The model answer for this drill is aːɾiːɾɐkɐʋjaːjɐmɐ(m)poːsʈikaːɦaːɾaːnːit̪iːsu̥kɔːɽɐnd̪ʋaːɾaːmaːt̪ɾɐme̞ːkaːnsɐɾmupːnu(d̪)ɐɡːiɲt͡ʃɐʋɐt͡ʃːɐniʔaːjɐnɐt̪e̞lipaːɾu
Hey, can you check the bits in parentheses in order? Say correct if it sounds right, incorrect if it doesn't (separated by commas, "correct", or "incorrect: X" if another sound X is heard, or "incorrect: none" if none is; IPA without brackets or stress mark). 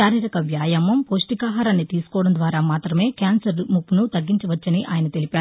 correct, incorrect: t̪